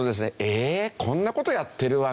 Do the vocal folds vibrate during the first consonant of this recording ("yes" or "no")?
yes